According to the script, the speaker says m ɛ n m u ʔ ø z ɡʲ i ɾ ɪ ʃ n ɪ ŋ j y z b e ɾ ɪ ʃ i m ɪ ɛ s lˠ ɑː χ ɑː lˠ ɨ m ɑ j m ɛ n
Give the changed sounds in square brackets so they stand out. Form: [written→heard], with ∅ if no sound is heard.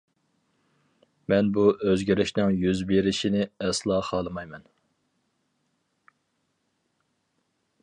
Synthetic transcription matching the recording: m ɛ n [m→b] u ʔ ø z ɡʲ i ɾ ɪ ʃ n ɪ ŋ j y z b e ɾ ɪ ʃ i [m→n] ɪ ɛ s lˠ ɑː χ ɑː lˠ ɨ m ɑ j m ɛ n